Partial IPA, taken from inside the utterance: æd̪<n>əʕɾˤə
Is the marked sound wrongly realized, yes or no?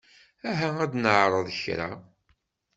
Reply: no